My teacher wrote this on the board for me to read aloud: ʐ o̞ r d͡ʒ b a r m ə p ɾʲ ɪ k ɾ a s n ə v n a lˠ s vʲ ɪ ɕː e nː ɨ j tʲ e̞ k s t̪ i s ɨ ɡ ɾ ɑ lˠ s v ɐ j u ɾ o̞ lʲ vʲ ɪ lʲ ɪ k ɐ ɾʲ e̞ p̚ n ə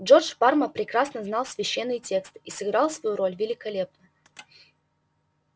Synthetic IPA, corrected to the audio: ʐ o̞ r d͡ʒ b a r m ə p ɾʲ ɪ k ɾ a s n ə z n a lˠ s vʲ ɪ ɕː e nː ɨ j tʲ e̞ k s t̪ i s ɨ ɡ ɾ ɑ lˠ s v ɐ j u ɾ o̞ lʲ vʲ ɪ lʲ ɪ k ɐ lʲ e̞ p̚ n ə